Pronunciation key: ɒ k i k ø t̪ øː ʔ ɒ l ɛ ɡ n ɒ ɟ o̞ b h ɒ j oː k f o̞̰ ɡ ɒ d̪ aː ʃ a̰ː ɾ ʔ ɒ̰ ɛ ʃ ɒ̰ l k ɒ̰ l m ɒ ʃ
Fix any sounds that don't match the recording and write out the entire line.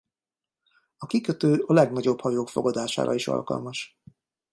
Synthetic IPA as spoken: ɒ k i k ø t̪ øː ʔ ɒ l ɛ ɡ n ɒ ɟ o̞ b h ɒ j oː k f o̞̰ ɡ ɒ d̪ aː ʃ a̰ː ɾ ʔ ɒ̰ i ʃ ɒ̰ l k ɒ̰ l m ɒ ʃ